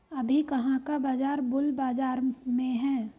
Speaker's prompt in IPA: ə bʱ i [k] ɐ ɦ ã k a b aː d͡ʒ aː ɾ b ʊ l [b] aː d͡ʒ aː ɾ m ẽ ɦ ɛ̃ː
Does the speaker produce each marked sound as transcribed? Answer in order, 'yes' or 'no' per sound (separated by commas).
yes, yes